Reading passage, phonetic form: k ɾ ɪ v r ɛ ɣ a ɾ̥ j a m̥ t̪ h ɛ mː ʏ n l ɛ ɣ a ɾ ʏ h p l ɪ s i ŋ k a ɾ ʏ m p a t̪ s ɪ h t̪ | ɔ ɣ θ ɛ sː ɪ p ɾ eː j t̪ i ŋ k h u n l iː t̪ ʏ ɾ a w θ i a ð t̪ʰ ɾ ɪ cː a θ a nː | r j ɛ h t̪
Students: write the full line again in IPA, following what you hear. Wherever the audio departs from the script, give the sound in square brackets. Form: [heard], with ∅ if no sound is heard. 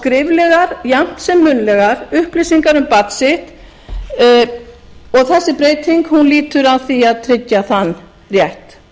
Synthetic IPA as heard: k ɾ ɪ v [l] ɛ ɣ a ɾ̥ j a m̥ t̪ [s] ɛ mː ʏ n l ɛ ɣ a ɾ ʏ h p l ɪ s i ŋ k a ɾ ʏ m p a t̪ s ɪ h t̪ | ɔ ɣ θ ɛ sː ɪ p ɾ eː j t̪ i ŋ k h u n l iː t̪ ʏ ɾ a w θ i a ð t̪ʰ ɾ ɪ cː a θ a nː | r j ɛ h t̪